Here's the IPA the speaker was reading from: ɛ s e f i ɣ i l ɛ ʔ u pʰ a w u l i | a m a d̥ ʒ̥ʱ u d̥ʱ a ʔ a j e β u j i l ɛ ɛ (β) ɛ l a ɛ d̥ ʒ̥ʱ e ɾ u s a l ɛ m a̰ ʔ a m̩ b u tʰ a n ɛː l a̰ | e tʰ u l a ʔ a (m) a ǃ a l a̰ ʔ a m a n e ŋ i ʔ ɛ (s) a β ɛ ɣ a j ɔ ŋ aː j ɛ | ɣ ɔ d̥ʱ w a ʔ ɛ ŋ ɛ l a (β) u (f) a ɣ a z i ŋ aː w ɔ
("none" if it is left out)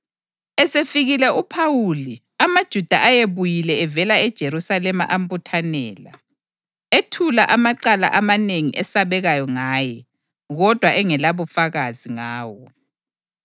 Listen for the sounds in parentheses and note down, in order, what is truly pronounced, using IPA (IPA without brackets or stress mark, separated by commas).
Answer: v, m, s, β, f